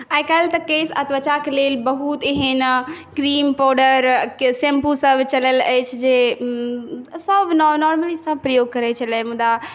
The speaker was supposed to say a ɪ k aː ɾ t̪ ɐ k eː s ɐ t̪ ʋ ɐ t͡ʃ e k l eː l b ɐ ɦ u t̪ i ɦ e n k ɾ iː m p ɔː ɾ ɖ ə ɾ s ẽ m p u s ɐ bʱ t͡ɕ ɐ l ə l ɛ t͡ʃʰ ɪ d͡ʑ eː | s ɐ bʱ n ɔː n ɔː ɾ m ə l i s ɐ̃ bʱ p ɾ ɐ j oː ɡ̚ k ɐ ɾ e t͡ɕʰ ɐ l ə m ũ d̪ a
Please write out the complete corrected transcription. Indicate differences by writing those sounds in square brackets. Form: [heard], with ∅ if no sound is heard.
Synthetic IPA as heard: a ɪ k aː [l] t̪ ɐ k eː s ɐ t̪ ʋ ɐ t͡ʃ [a] k l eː l b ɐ ɦ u t̪ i ɦ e n k ɾ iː m p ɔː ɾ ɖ ə ɾ s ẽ m p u s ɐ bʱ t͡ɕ ɐ l ə l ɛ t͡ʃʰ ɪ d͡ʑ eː | s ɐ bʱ n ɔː n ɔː ɾ m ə l i s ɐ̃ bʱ p ɾ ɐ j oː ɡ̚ k ɐ ɾ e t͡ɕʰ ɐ l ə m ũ d̪ a